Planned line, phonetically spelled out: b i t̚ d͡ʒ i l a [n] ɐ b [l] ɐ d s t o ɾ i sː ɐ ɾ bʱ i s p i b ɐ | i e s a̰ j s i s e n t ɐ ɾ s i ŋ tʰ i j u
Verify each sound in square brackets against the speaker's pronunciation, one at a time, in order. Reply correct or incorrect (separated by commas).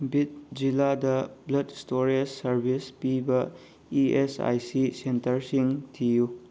incorrect, correct